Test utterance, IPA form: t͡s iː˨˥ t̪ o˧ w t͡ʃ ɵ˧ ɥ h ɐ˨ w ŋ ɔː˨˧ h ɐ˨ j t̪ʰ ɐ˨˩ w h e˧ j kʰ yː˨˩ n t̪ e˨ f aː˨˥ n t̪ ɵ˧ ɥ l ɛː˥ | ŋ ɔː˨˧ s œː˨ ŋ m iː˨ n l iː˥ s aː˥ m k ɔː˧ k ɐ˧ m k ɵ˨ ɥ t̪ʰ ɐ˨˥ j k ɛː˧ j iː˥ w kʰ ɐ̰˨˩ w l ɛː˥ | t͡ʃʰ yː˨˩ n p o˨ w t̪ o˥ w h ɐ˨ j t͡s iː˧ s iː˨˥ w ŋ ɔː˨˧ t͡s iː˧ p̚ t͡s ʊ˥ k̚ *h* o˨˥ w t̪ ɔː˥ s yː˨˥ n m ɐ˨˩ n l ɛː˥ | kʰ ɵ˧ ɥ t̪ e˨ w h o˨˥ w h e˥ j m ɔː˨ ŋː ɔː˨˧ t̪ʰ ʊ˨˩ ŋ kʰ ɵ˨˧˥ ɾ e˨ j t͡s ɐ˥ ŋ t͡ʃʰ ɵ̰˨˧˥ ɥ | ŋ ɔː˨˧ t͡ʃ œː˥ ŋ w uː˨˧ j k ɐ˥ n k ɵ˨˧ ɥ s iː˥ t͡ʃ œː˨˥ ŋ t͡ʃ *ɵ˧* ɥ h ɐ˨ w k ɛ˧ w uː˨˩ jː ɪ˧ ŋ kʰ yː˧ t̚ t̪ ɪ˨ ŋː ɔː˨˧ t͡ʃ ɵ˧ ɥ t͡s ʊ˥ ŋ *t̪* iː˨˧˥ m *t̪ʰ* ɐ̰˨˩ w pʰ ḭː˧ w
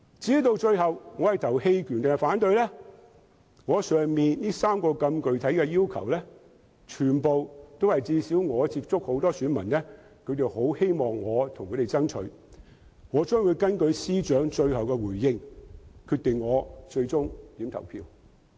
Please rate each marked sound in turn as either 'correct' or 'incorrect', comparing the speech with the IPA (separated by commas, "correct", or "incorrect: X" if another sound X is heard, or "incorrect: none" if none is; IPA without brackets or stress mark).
correct, correct, correct, correct